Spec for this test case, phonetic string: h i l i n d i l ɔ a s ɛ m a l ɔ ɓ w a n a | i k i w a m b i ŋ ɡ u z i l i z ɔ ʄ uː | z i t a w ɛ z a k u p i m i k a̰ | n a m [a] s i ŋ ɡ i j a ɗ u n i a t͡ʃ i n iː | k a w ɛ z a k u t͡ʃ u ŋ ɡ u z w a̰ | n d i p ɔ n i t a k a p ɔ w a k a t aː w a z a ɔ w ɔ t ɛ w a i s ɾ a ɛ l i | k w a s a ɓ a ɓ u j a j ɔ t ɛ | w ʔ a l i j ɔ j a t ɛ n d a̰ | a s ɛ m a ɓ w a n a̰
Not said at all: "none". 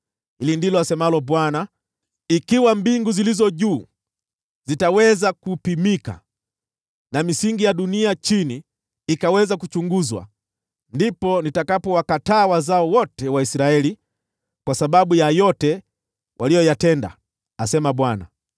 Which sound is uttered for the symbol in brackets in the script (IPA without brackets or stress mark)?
i